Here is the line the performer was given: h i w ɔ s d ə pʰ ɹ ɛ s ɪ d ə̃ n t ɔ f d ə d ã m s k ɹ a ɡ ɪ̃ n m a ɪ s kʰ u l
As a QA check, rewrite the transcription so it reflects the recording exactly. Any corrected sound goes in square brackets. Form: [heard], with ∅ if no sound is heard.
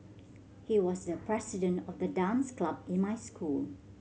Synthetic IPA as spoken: h i w ɔ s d ə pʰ ɹ ɛ s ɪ d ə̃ n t ɔ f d ə d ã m s k [l] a [b] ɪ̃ n m a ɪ s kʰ u l